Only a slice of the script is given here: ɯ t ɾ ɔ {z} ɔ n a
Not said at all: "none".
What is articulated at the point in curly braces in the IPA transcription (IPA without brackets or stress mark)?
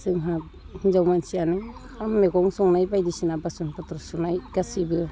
s